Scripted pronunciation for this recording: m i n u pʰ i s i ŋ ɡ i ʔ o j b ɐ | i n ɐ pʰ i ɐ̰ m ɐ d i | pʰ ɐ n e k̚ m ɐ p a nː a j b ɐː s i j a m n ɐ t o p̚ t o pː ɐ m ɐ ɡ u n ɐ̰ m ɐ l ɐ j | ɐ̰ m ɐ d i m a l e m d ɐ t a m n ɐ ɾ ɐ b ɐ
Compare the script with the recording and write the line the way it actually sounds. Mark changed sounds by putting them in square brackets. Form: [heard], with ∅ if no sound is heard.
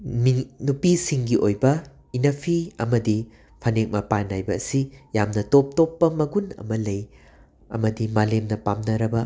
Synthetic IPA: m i n u [p] i s i ŋ ɡ i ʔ o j b ɐ | i n ɐ pʰ i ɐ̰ m ɐ d i | pʰ ɐ n e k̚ m ɐ p a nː a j b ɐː s i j a m n ɐ t o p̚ t o pː ɐ m ɐ ɡ u n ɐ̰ m ɐ l ɐ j | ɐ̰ m ɐ d i m a l e m [n] ɐ [p] a m n ɐ ɾ ɐ b ɐ

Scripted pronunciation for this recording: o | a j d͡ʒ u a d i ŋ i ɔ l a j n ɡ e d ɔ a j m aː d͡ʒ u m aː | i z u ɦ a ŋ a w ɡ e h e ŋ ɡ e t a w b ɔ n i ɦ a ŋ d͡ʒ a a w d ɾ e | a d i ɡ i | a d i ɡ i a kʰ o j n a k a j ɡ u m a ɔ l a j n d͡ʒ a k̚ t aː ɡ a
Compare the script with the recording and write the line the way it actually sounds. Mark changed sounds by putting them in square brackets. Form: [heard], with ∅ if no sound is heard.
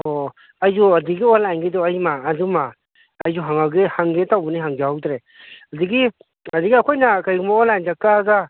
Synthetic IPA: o | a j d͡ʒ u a d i [ɡ] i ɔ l a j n ɡ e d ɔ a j m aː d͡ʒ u m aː | [j] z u ɦ a ŋ a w ɡ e h [a] ŋ ɡ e t a w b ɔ n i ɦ a ŋ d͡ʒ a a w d ɾ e | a d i ɡ i | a d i ɡ i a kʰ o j n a k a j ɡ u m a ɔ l a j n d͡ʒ a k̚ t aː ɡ a

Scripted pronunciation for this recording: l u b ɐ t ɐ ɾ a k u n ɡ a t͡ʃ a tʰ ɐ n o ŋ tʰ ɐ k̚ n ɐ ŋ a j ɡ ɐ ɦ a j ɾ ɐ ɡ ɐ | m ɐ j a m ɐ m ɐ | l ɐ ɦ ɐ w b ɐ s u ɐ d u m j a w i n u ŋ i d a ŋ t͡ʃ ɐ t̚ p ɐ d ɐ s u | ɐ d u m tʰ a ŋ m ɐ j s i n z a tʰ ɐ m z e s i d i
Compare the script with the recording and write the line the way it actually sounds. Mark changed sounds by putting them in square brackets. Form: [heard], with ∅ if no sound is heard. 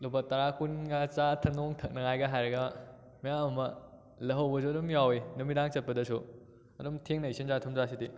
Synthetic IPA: l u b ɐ t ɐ ɾ a k u n ɡ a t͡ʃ a tʰ ɐ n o ŋ tʰ ɐ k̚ n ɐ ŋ a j ɡ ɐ ɦ a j ɾ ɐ ɡ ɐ | m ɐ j a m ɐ m ɐ | l ɐ ɦ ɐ w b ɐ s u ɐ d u m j a w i n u [m] i d a ŋ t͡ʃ ɐ t̚ p ɐ d ɐ s u | ɐ d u m tʰ [e] ŋ [n] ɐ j s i n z a tʰ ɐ m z [a] s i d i

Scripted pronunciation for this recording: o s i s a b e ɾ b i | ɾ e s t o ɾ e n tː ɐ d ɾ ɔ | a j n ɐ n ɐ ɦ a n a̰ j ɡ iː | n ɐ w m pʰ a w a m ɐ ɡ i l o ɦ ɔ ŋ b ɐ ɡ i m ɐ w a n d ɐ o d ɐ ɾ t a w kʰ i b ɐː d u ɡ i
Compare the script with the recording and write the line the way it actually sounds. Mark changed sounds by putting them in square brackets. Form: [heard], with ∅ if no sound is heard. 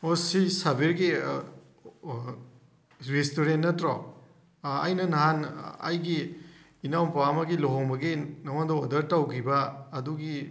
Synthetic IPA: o s i s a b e ɾ [ɡ] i | ɾ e s t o ɾ e n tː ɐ [t] ɾ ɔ | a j n ɐ n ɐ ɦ a n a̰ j ɡ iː | n [a] w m [p] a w a m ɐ ɡ i l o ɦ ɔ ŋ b ɐ ɡ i [n] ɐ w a n d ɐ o d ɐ ɾ t a w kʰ i b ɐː d u ɡ i

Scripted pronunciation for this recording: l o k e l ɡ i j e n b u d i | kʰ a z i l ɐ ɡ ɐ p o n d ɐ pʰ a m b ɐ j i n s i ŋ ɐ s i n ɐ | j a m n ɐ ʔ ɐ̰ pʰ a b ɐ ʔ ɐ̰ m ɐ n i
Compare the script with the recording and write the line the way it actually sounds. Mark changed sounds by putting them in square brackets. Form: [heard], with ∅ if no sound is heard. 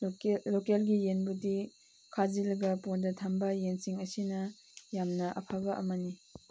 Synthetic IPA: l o k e l ɡ i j e n b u d i | kʰ a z i l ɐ ɡ ɐ p o n d ɐ [tʰ] a m b ɐ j [e] n s i ŋ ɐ s i n ɐ | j a m n ɐ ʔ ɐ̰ pʰ a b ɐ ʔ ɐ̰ m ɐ n i

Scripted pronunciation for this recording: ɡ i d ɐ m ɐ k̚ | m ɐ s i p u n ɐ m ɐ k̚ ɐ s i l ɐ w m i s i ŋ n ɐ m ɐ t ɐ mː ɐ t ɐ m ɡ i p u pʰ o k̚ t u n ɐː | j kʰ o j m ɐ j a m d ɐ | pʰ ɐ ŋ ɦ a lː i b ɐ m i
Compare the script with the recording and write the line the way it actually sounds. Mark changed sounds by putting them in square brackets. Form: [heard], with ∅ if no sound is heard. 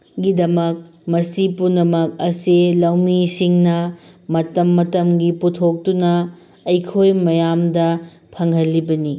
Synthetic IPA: ɡ i d ɐ m ɐ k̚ | m ɐ s i p u n ɐ m ɐ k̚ ɐ s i l ɐ w m i s i ŋ n ɐ m ɐ t ɐ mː ɐ t ɐ m ɡ i p u [tʰ] o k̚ t u n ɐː | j kʰ o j m ɐ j a m d ɐ | pʰ ɐ ŋ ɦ [ɐ] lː i b ɐ [n] i

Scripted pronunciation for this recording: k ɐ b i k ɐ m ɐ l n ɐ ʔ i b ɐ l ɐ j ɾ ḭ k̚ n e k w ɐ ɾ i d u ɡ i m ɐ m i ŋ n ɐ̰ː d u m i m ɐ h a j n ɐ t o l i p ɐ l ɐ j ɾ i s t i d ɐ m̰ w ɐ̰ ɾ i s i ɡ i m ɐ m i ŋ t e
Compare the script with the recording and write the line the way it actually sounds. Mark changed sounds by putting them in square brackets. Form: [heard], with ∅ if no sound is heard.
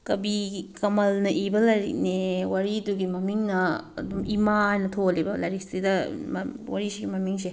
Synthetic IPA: k ɐ b i k ɐ m ɐ l n ɐ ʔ i b ɐ l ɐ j ɾ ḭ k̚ n e [∅] w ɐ ɾ i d u ɡ i m ɐ m i ŋ n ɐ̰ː d u m i m [a] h a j n ɐ [tʰ] o l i [b] ɐ l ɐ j ɾ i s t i d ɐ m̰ w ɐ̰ ɾ i s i ɡ i m ɐ m i ŋ [s] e

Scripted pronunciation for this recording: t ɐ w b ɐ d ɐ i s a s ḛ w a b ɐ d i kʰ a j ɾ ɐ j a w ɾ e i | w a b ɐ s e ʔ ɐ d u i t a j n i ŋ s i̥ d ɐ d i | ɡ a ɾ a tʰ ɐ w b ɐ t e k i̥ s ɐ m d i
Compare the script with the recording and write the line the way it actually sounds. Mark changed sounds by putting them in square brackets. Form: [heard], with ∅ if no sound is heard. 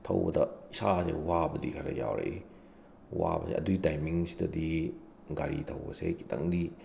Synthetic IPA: [tʰ] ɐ w b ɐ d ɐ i s a s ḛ w a b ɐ d i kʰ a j ɾ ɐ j a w ɾ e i | w a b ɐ s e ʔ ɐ d u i t a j [m] i ŋ s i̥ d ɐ d i | ɡ a ɾ [i] tʰ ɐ w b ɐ [s] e k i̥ [t] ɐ [ŋ] d i

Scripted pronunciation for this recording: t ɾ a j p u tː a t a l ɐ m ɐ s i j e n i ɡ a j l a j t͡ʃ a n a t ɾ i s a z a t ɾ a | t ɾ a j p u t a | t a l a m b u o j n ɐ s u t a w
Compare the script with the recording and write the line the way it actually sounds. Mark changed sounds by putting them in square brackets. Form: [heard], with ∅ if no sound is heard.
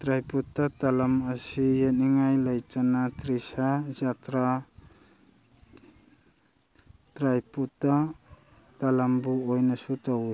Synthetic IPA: t ɾ a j p u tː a t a l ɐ m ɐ s i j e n i [ŋ] a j l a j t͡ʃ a n a t ɾ i s a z a t ɾ a | t ɾ a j p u t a | t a l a m b u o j n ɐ s u t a w

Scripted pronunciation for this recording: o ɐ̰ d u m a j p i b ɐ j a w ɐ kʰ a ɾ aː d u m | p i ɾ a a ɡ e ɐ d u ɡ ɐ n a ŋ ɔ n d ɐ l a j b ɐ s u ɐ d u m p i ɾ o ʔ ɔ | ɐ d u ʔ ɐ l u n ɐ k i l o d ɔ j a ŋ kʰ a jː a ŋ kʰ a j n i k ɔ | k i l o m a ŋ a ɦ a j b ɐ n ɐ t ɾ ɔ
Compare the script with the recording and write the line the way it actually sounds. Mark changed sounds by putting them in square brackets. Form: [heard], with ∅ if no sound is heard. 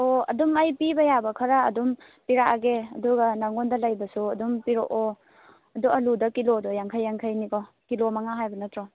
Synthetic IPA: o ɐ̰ d u m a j p i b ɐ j a [b] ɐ kʰ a ɾ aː d u m | p i ɾ a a ɡ e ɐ d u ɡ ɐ n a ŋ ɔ n d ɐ l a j b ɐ s u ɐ d u m p i ɾ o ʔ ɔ | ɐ d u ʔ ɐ l u [d] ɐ k i l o d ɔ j a ŋ kʰ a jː a ŋ kʰ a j n i k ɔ | k i l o m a ŋ a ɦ a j b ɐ n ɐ t ɾ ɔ

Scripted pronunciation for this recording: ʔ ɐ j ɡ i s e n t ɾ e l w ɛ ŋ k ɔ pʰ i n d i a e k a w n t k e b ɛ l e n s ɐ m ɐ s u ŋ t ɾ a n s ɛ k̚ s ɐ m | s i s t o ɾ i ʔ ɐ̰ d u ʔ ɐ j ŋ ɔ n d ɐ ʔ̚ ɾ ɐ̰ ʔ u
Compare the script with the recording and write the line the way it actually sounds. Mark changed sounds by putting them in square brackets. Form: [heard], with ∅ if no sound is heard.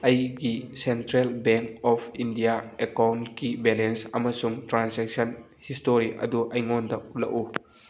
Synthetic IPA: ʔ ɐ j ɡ i s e n t ɾ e l [b] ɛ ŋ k ɔ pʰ i n d i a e k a w n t k [i] b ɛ l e n s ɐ m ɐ s u ŋ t ɾ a n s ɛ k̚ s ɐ [n] | [h] i s t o ɾ i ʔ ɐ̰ d u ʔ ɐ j ŋ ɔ n d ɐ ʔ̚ [l] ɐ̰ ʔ u

